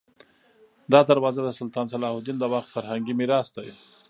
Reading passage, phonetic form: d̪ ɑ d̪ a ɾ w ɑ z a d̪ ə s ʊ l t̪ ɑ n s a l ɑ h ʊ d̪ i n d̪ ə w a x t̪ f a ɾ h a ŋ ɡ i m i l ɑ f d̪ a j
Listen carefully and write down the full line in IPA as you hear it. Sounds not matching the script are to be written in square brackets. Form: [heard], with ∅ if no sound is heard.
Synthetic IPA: d̪ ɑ d̪ a ɾ w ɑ z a d̪ ə s ʊ l t̪ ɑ n s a l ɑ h ʊ d̪ i n d̪ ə w a x t̪ f a ɾ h a ŋ ɡ i m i [ɾ] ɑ [s] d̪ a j